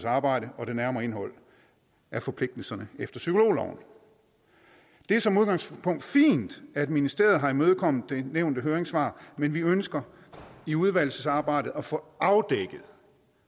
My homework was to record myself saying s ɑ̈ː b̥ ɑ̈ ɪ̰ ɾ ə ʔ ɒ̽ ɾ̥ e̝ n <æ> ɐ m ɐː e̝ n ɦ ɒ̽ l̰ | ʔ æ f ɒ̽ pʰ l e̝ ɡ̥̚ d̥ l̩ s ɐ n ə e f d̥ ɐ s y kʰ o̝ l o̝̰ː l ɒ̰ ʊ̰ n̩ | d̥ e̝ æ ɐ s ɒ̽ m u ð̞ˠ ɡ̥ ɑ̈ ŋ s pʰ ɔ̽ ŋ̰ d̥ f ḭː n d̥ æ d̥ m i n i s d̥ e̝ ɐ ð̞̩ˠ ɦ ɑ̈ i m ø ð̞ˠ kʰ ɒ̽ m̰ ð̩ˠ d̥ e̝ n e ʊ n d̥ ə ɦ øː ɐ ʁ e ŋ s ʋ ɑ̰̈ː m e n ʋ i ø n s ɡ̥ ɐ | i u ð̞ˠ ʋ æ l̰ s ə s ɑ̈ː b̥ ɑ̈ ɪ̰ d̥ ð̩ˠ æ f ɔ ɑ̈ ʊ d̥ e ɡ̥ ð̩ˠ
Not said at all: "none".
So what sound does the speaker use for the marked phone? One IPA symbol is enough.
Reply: æ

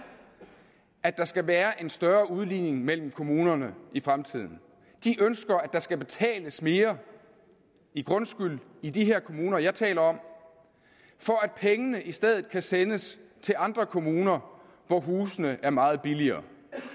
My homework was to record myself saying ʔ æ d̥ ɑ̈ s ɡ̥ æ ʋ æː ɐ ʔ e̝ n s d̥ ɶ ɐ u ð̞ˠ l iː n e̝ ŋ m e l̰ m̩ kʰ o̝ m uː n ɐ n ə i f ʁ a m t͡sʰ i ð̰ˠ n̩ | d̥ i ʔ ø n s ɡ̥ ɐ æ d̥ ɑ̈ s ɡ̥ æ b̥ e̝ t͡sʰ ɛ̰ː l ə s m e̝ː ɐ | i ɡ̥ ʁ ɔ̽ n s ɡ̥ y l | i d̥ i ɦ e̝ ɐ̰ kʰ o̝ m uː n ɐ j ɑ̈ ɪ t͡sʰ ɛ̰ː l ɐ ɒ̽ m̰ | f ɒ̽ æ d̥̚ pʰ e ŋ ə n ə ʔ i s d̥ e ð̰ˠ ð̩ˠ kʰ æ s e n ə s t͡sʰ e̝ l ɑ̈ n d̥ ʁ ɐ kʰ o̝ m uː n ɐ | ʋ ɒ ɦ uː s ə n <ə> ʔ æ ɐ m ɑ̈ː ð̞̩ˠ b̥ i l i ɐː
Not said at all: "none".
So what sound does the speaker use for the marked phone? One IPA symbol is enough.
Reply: ə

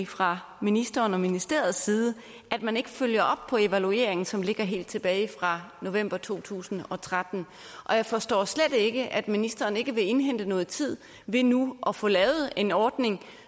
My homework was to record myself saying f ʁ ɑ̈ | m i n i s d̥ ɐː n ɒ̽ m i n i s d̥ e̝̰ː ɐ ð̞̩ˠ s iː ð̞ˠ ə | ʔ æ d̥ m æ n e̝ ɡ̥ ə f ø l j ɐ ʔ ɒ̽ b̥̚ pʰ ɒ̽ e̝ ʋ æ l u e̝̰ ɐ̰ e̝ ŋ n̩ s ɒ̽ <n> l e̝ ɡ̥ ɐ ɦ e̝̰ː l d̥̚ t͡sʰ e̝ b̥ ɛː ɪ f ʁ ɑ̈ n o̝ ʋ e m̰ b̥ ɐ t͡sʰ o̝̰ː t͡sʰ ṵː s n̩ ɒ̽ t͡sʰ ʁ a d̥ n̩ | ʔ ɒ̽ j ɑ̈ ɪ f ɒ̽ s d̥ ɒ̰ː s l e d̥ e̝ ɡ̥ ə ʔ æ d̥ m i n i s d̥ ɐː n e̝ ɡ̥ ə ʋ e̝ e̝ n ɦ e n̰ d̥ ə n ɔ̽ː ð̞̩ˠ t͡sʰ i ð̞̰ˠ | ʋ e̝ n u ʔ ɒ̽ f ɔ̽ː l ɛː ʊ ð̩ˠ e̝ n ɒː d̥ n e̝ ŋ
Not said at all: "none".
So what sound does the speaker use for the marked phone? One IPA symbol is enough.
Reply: m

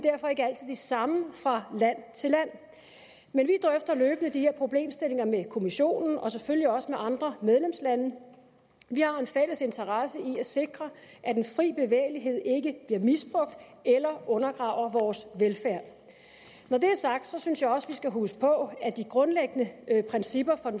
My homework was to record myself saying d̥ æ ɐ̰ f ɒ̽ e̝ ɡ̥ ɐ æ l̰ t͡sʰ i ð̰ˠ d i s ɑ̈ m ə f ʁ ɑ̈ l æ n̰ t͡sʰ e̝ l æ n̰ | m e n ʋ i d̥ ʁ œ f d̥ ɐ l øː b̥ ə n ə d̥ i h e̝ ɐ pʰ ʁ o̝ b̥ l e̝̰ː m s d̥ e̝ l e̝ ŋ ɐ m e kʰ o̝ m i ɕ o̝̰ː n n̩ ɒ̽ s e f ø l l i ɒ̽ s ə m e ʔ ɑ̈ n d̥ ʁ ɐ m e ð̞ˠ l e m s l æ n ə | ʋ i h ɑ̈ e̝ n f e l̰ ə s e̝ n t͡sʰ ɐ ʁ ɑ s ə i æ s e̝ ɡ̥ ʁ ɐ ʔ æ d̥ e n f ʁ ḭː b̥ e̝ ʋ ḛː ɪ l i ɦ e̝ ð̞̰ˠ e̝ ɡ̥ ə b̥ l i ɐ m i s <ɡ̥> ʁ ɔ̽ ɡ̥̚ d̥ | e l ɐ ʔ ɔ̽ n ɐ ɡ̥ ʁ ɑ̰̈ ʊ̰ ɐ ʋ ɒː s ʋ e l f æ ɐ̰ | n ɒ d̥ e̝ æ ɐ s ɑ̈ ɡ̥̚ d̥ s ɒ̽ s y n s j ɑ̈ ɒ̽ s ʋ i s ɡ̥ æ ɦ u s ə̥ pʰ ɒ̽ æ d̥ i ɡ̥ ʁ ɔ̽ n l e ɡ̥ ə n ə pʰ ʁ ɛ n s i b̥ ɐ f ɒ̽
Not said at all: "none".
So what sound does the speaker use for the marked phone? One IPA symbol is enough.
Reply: b̥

